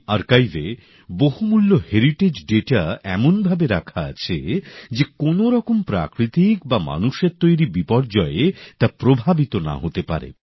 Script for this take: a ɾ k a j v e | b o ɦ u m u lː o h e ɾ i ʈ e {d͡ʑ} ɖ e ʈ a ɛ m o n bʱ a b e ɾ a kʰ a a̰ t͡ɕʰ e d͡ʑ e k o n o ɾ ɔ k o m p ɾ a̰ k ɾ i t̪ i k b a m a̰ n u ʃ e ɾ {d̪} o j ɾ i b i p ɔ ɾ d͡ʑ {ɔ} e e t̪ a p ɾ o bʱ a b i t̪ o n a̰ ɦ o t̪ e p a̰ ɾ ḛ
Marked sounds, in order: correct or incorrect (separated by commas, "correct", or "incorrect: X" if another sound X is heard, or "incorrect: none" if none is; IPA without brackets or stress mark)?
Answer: correct, incorrect: t̪, correct